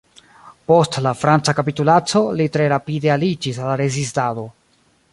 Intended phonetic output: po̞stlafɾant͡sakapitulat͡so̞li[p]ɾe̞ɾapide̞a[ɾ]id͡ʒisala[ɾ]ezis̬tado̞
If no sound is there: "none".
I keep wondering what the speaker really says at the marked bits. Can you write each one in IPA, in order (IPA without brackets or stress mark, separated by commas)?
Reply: t, l, ɾ